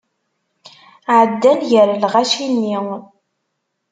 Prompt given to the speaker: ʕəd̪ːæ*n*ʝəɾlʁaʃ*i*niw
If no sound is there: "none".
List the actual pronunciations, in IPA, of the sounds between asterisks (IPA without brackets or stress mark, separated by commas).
n, i